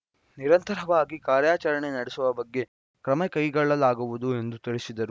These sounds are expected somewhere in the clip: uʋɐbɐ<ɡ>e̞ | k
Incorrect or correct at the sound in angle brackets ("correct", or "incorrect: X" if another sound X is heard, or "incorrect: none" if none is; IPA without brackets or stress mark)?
incorrect: ɡː